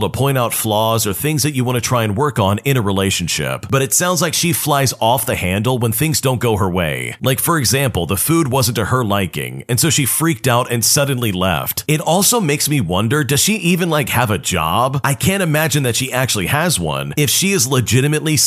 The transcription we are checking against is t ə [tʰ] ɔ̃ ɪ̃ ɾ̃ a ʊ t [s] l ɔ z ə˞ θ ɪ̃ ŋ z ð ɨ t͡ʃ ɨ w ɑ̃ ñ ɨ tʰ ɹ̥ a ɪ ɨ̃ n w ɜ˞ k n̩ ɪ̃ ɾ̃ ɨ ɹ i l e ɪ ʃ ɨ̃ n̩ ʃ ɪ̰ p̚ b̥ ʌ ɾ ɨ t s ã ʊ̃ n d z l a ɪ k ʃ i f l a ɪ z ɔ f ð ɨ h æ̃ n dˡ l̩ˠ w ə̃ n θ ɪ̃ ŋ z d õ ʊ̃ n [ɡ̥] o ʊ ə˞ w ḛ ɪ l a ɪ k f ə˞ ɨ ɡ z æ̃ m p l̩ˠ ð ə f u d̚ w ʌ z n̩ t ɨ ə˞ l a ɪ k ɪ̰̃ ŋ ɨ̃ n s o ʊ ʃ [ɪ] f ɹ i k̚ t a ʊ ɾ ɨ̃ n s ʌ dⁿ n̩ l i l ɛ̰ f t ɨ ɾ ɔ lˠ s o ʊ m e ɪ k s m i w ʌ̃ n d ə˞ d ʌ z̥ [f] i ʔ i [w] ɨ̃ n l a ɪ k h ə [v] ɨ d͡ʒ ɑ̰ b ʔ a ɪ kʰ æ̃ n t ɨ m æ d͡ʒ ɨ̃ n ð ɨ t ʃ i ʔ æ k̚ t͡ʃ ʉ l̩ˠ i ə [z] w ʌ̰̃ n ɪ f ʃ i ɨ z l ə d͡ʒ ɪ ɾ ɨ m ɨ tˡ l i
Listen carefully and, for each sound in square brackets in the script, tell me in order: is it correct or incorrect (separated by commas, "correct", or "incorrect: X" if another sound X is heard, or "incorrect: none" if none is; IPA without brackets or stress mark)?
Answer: incorrect: pʰ, incorrect: f, correct, incorrect: i, incorrect: ʃ, incorrect: v, correct, correct